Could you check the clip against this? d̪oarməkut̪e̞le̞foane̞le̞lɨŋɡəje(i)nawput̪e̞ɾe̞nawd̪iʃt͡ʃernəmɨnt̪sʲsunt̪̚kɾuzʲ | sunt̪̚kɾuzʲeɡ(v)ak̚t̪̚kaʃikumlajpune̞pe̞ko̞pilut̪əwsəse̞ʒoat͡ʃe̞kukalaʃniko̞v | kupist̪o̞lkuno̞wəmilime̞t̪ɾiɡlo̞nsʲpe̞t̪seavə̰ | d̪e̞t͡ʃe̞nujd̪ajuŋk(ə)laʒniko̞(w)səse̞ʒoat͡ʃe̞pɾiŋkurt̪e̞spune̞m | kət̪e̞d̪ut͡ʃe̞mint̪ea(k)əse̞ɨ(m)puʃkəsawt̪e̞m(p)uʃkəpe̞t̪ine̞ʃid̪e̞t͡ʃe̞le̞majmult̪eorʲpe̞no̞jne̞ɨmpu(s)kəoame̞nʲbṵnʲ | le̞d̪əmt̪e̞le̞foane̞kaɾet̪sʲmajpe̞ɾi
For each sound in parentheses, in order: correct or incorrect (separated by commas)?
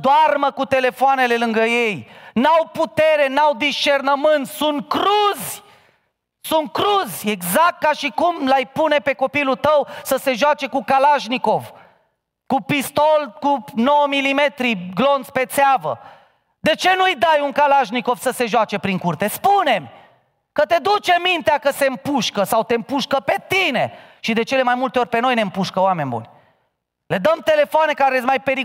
incorrect, incorrect, incorrect, incorrect, correct, correct, correct, incorrect